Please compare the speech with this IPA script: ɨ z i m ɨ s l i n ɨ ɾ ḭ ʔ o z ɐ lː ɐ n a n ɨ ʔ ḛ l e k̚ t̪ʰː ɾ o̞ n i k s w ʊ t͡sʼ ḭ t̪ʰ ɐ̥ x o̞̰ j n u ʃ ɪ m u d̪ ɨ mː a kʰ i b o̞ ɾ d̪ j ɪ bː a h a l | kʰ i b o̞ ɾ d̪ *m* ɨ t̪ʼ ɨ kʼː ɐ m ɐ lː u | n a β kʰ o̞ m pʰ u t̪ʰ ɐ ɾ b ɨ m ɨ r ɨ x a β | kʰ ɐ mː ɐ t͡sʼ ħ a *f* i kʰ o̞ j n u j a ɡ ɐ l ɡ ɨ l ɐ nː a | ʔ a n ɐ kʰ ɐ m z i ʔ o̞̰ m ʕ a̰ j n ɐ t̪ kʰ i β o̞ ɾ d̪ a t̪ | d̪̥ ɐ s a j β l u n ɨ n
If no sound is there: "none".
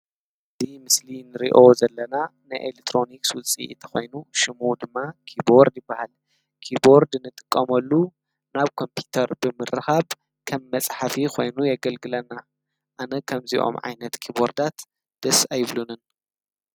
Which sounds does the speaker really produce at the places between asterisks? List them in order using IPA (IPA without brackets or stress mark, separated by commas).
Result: n, f